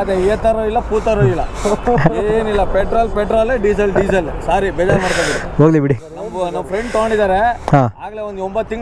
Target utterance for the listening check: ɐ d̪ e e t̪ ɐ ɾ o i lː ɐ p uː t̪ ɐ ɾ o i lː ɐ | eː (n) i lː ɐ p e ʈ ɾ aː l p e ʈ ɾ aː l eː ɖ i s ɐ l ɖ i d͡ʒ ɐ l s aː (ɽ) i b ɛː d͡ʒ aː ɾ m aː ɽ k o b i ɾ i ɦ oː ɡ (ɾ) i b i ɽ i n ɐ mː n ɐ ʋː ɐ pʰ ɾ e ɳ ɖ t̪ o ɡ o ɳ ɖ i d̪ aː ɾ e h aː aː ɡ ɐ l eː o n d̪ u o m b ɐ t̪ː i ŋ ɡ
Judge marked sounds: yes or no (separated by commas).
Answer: yes, no, no